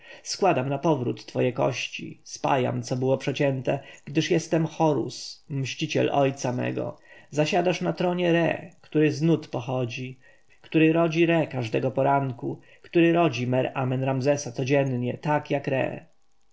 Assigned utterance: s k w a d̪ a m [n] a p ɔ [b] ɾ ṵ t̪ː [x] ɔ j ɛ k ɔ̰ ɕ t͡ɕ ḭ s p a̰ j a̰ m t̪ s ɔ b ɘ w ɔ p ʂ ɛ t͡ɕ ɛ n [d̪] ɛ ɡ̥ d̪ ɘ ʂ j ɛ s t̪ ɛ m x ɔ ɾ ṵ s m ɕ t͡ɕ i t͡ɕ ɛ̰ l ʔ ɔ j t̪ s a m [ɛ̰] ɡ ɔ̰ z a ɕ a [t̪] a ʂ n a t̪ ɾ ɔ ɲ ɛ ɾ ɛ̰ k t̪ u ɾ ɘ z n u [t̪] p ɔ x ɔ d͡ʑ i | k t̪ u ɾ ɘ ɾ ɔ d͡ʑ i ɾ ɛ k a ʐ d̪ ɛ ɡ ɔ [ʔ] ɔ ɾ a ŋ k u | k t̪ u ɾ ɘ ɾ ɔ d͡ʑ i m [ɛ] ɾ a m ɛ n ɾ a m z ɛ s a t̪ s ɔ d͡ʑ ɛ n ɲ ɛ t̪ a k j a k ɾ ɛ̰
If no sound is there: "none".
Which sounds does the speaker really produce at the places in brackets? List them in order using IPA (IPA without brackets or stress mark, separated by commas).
n, v, f, t̪, ɛ̰, d̪, t̪, p, ɛ